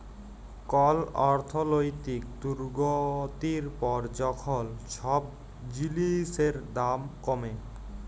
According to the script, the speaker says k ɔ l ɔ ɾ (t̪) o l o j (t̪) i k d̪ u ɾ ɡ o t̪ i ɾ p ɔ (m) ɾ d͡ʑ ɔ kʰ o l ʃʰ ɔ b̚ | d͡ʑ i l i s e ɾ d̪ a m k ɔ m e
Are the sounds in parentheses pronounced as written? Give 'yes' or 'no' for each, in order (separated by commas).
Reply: no, yes, no